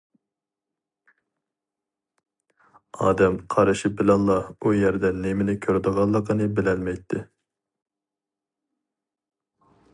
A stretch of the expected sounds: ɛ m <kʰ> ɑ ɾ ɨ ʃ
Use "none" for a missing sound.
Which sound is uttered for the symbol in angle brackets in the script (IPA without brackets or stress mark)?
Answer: qʰ